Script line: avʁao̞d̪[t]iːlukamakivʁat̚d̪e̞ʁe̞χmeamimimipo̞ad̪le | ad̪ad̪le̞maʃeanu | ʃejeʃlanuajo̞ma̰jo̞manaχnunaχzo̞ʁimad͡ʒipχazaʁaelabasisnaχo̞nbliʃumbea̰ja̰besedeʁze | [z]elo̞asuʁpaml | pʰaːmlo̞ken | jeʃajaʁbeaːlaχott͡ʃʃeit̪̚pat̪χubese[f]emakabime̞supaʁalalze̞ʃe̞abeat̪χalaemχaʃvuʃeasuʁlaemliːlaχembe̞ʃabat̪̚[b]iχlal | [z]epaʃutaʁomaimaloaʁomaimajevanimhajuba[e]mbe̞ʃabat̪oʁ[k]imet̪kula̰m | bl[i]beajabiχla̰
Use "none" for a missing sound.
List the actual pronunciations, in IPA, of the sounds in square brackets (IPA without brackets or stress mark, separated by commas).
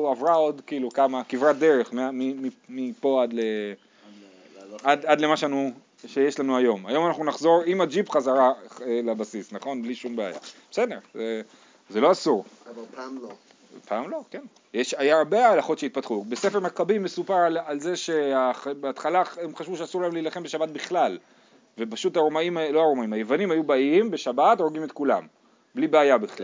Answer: k, z, f, b, v, i, ɡ, i